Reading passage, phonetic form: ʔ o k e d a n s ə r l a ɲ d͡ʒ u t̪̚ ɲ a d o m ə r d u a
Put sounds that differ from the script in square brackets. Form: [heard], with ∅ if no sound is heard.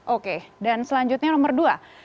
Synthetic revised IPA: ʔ o k e d a n s ə [∅] l a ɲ d͡ʒ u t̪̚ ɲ a [n] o m ə r d u a